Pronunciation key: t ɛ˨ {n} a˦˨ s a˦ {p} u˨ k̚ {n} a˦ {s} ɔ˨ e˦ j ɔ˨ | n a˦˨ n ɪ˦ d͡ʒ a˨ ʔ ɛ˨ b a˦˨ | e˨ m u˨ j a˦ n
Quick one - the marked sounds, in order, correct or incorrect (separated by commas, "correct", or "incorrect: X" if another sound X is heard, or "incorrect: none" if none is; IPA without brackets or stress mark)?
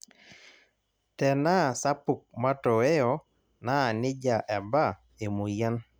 correct, correct, incorrect: m, incorrect: t